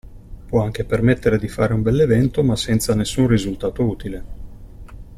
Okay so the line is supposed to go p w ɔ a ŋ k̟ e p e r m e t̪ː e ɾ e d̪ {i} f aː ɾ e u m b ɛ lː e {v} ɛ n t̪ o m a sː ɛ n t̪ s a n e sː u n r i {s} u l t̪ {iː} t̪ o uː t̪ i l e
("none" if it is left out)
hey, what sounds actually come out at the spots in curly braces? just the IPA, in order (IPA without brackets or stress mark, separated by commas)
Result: i, v, z, aː